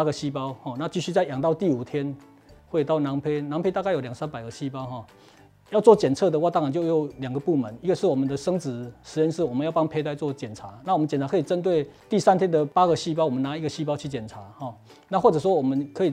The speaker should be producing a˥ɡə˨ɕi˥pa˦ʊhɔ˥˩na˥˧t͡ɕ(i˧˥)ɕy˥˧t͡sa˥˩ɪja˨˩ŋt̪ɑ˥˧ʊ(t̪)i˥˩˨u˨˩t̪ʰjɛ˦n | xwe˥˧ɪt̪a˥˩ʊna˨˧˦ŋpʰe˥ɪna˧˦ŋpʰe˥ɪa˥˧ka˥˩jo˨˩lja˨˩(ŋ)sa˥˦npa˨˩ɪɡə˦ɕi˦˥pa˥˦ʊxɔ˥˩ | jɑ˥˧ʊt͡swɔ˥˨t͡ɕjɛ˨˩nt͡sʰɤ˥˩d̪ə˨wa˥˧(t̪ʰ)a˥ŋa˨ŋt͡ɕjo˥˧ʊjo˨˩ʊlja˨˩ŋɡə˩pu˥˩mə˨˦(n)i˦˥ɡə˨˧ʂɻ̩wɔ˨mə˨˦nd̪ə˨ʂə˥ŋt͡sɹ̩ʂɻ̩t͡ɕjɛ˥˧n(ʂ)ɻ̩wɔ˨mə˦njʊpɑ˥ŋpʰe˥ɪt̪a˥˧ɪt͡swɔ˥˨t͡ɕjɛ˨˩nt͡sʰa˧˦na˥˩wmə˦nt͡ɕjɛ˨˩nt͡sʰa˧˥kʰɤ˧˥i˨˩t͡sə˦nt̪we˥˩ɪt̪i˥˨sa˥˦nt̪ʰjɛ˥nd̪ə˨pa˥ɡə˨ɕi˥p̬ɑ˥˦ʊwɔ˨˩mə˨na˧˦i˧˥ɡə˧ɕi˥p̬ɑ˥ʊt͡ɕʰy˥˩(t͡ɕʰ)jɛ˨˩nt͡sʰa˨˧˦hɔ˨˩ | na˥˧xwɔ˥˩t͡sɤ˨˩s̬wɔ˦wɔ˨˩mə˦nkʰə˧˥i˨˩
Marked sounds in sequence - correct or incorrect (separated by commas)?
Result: incorrect, correct, correct, incorrect, correct, correct, incorrect